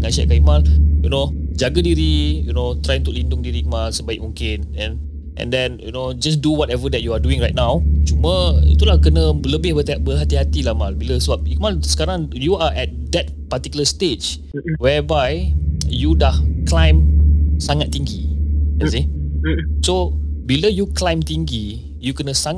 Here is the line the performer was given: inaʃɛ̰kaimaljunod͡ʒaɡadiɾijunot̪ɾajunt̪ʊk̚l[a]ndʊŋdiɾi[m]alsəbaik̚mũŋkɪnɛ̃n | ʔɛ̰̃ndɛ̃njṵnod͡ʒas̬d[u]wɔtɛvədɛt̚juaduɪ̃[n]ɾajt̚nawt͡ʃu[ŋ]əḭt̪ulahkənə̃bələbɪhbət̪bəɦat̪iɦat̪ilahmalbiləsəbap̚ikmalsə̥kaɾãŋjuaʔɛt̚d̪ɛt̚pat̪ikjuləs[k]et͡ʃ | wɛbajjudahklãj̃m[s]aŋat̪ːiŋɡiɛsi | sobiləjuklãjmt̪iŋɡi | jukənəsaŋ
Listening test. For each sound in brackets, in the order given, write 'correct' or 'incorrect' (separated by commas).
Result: incorrect, correct, correct, incorrect, incorrect, incorrect, correct